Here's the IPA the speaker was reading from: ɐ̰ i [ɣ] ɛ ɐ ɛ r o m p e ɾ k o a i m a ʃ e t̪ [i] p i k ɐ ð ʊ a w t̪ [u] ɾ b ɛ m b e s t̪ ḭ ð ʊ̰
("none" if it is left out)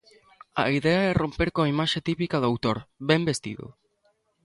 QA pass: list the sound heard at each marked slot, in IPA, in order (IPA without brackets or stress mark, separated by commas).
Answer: ð, i, o